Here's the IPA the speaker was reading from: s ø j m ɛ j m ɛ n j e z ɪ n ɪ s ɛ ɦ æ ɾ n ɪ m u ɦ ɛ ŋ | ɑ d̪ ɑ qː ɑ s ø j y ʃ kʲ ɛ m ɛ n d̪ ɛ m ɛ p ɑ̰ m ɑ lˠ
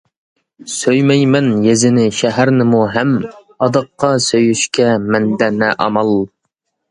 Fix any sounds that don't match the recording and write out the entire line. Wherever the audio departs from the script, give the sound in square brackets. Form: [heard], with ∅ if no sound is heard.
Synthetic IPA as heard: s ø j m ɛ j m ɛ n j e z ɪ n ɪ [ʃ] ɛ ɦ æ ɾ n ɪ m u ɦ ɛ [m] | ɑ d̪ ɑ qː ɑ s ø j y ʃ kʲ ɛ m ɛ n d̪ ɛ [n] ɛ [ʔ] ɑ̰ m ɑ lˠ